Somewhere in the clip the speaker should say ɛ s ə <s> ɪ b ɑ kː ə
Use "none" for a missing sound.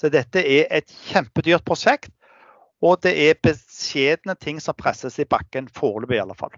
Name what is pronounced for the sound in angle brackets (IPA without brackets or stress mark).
s